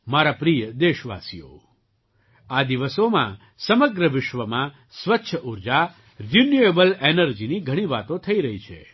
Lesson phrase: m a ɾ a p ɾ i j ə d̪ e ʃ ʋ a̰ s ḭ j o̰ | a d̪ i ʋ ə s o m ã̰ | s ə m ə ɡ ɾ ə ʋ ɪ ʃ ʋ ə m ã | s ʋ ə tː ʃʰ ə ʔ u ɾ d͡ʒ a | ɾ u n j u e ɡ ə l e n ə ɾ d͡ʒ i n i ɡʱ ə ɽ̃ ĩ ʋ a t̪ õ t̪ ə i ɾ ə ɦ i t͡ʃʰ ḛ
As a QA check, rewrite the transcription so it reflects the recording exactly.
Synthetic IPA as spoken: m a ɾ a p ɾ i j ə d̪ e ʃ ʋ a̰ s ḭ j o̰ | a d̪ i ʋ ə s o m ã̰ | s ə m ə ɡ ɾ ə ʋ ɪ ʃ ʋ ə m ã | s ʋ ə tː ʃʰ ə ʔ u ɾ d͡ʒ a | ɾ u n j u e b ə l e n ə ɾ d͡ʒ i n i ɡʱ ə ɽ̃ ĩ ʋ a t̪ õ t̪ʰ ə i ɾ ə ɦ i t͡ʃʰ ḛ